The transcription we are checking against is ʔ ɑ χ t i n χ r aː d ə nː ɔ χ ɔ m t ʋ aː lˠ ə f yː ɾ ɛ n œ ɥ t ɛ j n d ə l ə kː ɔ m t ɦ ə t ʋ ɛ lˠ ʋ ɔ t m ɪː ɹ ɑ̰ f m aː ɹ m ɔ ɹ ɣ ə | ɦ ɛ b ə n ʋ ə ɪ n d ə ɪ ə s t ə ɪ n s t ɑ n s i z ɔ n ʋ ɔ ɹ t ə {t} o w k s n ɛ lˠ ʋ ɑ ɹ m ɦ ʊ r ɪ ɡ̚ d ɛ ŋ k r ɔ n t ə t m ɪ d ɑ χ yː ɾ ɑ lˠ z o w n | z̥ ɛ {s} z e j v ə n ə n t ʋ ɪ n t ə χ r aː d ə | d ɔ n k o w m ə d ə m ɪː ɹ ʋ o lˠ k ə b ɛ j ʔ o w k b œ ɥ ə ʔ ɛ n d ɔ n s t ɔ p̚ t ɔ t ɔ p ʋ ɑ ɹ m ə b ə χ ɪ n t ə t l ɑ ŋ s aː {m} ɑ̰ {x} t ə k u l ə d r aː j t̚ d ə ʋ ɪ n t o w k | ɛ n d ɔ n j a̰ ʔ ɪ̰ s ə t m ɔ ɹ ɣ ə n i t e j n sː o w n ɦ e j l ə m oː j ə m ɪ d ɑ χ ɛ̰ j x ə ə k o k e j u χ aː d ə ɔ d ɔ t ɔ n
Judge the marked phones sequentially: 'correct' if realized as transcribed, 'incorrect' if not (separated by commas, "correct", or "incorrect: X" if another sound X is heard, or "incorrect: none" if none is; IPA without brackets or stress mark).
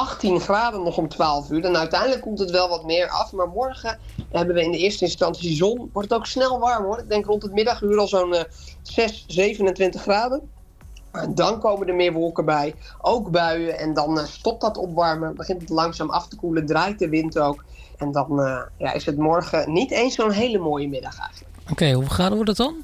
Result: correct, correct, correct, incorrect: f